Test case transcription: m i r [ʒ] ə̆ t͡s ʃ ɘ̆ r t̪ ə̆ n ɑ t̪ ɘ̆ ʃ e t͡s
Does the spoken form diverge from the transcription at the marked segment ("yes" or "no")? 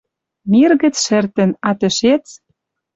yes